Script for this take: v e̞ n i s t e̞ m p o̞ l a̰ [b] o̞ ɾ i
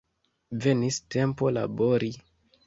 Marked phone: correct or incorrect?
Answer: correct